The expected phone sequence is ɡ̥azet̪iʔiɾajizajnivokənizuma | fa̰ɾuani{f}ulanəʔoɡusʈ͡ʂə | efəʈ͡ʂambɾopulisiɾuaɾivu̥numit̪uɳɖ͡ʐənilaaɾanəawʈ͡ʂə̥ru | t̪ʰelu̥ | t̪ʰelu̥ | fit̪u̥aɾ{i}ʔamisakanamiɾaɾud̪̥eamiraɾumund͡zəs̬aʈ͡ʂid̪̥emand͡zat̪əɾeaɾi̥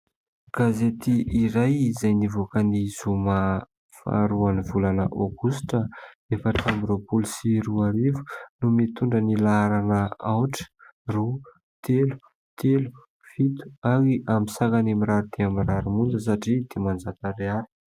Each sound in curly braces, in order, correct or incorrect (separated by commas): incorrect, correct